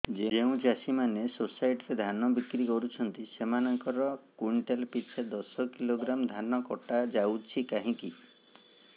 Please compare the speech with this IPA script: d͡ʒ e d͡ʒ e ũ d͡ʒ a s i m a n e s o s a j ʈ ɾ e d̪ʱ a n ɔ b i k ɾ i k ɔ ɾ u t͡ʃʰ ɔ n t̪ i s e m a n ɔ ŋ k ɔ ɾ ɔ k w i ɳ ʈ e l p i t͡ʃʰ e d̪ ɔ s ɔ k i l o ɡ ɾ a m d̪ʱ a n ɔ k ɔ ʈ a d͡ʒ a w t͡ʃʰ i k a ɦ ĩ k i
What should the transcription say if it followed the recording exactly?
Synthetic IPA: d͡ʒ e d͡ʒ e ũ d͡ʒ a s i m a n e s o s a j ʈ ɾ e d̪ʱ a n ɔ b i k ɾ i k ɔ ɾ u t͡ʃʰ ɔ n t̪ i s e m a n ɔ ŋ k ɔ ɾ ɔ k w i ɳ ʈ e l p i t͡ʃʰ e d̪ ɔ s ɔ k i l o ɡ ɾ a m d̪ʱ a n ɔ k ɔ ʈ a d͡ʒ a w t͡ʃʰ i k a ɦ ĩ k i